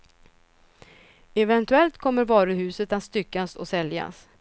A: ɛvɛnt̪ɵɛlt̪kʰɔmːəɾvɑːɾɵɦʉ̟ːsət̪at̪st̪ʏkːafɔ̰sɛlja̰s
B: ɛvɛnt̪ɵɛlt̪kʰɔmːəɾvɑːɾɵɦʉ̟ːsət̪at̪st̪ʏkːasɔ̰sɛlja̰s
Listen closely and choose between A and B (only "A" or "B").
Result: B